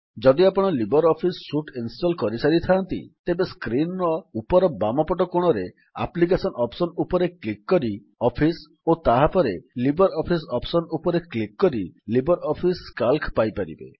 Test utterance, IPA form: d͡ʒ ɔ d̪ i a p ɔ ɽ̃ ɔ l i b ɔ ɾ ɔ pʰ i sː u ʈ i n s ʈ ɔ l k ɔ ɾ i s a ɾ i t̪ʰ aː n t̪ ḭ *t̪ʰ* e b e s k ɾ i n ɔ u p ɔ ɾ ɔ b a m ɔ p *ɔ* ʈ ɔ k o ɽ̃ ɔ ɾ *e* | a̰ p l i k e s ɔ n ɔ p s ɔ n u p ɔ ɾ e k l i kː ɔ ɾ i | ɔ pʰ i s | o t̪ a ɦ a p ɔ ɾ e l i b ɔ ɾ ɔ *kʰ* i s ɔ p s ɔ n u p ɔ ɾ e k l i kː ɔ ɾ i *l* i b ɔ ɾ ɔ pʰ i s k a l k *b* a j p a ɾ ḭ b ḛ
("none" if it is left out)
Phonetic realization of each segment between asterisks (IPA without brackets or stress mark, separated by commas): t̪, ɔ, e, pʰ, l, p